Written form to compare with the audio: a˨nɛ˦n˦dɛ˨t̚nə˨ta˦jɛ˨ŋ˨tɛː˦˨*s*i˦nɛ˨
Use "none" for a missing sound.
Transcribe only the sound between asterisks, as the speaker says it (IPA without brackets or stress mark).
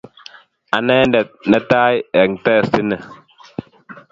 s